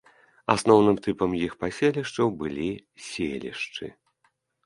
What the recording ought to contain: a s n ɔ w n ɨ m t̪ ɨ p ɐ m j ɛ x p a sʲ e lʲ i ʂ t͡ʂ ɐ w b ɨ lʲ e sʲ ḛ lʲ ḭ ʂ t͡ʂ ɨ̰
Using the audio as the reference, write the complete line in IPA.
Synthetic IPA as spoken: a s n ɔ w n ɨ m t̪ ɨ p ɐ m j i x p a sʲ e lʲ i ʂ t͡ʂ ɐ w b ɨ lʲ i sʲ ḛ lʲ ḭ ʂ t͡ʂ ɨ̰